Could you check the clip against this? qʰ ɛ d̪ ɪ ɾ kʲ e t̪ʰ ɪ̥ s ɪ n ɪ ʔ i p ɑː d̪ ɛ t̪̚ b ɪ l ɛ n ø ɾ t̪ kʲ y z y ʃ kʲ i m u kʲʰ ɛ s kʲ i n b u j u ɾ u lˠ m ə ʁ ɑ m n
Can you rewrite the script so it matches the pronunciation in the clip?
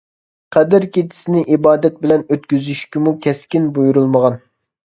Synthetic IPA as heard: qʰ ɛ d̪ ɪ ɾ kʲ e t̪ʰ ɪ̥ s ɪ n ɪ ʔ i b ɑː d̪ ɛ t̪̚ b ɪ l ɛ n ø t̪ kʲ y z y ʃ kʲ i m u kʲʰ ɛ s kʲ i n b u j u ɾ u lˠ m ə ʁ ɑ n